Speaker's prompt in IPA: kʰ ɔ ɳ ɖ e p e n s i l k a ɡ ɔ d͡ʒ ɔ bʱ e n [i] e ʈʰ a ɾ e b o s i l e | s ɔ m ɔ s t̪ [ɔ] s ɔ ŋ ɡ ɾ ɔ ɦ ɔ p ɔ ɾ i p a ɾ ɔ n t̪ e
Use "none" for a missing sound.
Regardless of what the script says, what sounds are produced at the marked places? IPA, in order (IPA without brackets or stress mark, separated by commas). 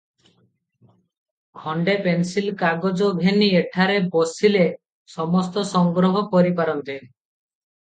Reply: i, ɔ